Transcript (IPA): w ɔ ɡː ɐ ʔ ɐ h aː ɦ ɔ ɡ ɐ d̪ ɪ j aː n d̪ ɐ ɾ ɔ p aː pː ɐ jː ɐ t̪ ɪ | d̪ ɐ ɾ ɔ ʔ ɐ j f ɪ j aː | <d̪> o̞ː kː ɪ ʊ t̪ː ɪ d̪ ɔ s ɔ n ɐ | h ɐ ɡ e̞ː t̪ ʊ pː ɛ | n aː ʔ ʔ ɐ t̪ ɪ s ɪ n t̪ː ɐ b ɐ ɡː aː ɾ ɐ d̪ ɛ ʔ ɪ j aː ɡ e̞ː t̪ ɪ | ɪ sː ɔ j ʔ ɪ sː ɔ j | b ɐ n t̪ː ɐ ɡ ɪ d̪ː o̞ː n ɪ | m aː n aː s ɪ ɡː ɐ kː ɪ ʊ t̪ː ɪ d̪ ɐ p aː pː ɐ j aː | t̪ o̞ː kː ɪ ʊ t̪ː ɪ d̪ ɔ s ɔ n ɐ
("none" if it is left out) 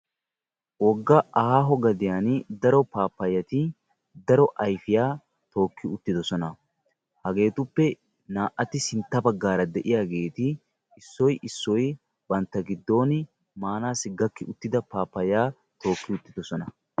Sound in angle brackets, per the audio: t̪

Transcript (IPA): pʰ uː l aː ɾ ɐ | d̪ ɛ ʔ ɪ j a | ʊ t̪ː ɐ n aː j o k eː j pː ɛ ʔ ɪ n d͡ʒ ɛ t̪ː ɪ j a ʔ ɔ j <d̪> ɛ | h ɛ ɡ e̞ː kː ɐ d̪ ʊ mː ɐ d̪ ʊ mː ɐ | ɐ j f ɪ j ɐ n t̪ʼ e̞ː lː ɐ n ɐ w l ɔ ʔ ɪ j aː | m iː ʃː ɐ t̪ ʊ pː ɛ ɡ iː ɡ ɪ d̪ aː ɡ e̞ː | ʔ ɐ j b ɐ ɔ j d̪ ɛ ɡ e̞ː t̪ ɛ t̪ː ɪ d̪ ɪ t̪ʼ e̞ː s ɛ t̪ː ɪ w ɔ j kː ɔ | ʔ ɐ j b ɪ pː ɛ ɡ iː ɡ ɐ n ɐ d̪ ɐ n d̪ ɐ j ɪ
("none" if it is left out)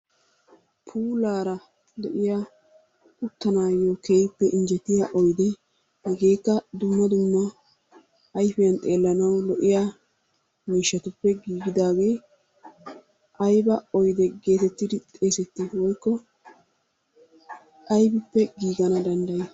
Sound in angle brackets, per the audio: d̪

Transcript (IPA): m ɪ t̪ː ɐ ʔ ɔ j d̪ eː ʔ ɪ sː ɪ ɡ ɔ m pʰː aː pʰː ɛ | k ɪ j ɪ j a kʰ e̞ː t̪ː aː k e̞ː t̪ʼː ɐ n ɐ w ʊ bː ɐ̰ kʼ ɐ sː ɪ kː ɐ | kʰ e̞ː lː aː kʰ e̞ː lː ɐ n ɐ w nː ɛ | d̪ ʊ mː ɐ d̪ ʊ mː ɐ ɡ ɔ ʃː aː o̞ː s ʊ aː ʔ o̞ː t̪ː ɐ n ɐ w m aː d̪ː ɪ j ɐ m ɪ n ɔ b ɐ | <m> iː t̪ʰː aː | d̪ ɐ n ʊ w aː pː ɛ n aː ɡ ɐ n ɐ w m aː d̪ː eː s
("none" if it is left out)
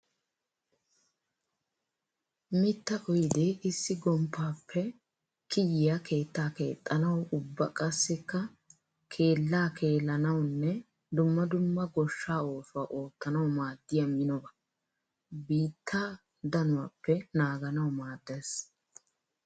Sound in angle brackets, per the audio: b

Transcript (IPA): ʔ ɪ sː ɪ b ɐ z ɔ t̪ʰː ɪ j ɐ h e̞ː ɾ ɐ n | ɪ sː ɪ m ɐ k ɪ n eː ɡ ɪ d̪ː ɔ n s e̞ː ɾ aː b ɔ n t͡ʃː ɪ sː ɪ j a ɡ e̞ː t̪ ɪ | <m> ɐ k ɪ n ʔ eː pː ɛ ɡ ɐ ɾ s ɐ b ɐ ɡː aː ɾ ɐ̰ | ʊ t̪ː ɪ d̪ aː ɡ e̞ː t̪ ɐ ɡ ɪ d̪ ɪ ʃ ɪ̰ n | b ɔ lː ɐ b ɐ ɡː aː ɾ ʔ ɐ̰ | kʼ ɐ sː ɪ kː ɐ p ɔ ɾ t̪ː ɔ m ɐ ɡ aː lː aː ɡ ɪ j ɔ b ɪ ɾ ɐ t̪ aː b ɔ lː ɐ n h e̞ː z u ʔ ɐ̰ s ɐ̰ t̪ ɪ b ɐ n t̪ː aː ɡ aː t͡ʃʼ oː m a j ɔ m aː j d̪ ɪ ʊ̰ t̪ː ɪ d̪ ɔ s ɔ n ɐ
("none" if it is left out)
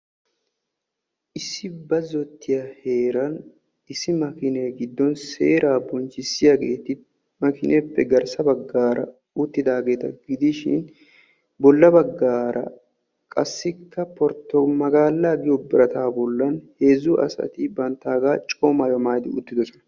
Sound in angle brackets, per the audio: m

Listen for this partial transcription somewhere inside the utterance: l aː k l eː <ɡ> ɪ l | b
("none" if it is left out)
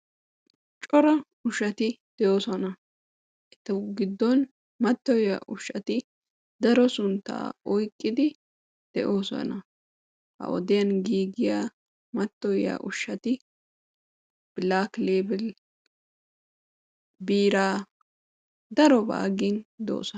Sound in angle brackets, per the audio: b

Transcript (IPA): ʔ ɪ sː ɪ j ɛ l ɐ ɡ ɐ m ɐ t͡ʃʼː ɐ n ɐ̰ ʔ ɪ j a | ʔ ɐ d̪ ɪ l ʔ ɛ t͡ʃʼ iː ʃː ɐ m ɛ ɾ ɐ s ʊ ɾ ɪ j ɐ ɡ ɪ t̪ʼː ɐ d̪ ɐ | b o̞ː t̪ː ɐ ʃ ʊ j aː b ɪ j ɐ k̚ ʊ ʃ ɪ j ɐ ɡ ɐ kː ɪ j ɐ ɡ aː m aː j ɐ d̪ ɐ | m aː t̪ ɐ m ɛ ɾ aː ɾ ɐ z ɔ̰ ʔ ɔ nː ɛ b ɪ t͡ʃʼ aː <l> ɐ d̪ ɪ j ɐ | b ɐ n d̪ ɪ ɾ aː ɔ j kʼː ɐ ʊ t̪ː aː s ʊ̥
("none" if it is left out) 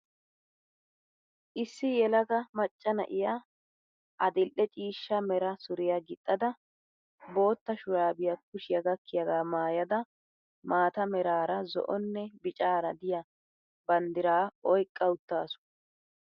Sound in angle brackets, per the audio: ɾ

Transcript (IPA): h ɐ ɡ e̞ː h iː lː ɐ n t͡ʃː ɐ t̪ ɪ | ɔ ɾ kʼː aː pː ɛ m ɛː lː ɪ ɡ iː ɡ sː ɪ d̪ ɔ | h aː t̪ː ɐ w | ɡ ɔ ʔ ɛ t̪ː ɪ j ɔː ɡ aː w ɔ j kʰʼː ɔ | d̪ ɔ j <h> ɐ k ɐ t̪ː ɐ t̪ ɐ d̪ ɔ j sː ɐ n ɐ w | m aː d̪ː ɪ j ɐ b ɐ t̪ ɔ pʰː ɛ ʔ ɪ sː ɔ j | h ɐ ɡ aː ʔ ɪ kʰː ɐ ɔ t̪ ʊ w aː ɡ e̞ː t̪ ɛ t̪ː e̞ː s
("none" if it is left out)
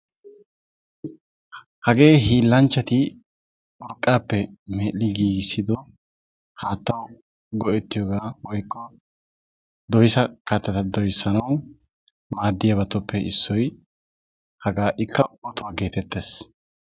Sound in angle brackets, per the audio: s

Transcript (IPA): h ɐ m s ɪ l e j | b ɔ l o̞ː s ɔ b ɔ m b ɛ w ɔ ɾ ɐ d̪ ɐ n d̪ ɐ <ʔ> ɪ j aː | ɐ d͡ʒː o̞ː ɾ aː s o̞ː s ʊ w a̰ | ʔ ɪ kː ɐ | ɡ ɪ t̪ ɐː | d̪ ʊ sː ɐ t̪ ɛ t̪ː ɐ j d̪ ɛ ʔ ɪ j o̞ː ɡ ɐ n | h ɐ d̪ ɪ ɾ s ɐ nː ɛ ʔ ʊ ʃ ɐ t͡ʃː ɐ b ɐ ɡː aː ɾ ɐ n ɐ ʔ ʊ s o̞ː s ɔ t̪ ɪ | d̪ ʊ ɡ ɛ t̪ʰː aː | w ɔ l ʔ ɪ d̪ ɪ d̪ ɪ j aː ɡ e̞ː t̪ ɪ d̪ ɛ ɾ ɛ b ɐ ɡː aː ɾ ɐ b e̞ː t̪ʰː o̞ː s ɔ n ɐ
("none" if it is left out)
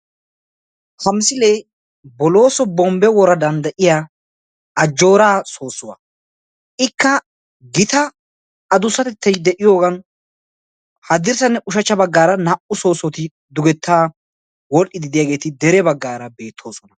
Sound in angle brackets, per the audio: ʔ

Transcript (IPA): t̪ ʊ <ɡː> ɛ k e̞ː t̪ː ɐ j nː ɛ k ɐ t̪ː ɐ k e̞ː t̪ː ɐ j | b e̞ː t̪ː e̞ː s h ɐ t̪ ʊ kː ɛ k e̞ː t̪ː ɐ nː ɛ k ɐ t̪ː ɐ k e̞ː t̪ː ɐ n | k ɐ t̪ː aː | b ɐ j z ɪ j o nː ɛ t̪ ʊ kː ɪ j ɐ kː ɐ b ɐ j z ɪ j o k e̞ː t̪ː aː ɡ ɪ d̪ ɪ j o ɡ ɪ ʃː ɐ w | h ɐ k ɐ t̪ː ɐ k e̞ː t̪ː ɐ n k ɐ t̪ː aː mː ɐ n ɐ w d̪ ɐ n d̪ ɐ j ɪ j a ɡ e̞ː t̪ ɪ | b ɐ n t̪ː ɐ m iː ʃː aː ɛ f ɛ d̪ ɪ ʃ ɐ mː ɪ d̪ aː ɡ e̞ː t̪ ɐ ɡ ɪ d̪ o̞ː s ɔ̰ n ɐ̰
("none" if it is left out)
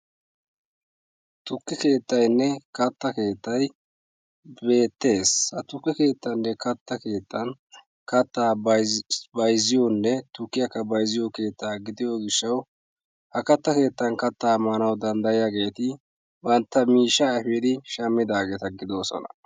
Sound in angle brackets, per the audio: kː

